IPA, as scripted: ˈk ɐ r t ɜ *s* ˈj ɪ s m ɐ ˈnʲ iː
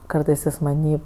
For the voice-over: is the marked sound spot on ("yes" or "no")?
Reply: yes